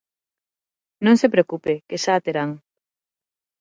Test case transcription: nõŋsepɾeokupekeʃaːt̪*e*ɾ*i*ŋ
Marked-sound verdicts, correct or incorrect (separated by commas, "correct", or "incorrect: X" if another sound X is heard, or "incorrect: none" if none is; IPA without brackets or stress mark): correct, incorrect: a